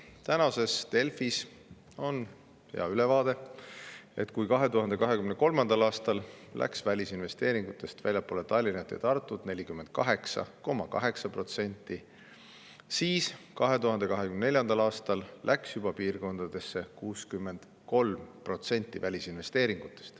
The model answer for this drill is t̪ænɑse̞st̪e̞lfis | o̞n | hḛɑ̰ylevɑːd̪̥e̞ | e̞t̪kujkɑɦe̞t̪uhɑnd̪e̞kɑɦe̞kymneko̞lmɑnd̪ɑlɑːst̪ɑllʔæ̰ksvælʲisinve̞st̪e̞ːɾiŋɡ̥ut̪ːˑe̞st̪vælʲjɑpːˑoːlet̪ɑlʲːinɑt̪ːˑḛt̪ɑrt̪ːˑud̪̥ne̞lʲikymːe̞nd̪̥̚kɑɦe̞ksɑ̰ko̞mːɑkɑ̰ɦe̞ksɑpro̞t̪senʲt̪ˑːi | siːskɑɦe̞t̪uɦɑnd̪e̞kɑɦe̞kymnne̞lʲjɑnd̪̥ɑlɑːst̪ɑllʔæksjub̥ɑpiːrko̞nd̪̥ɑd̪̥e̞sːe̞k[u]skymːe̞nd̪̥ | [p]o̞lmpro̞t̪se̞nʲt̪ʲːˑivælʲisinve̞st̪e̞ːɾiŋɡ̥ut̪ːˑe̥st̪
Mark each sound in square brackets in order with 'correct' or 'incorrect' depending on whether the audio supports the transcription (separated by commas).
incorrect, incorrect